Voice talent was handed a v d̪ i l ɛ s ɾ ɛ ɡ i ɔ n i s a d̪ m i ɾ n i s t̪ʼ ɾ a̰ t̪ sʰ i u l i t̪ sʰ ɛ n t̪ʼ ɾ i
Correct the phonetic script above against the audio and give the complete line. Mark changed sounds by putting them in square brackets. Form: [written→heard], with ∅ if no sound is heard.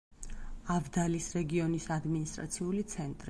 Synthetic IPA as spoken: a v d̪ [i→a] l [ɛ→i] s ɾ ɛ ɡ i ɔ n i s a d̪ m i [ɾ→∅] n i s t̪ʼ ɾ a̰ t̪ sʰ i u l i t̪ sʰ ɛ n t̪ʼ ɾ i